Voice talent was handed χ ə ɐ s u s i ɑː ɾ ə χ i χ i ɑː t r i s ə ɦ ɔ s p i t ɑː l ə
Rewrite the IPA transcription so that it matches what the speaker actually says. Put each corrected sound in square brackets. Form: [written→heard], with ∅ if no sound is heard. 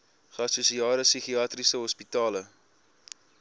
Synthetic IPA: χ ə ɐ s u s i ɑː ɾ ə [χ→s] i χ i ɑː t r i s ə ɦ ɔ s p i t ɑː l ə